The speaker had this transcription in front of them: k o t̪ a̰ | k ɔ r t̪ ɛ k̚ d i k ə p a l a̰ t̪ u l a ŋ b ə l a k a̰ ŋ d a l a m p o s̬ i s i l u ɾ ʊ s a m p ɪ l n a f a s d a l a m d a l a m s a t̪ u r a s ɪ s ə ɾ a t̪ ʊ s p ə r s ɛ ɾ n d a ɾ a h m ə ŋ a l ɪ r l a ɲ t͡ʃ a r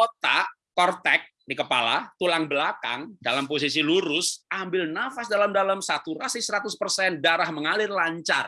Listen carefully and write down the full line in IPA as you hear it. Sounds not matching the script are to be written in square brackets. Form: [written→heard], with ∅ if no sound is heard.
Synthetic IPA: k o t̪ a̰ | k ɔ r t̪ ɛ k̚ d i k ə p a l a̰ t̪ u l a ŋ b ə l a k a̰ ŋ d a l a m p o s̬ i s i l u ɾ ʊ s a m [p→b] ɪ l n a f a s d a l a m d a l a m s a t̪ u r a s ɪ s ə ɾ a t̪ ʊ s p ə r s ɛ [ɾ→∅] n d a ɾ a h m ə ŋ a l ɪ r l a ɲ t͡ʃ a r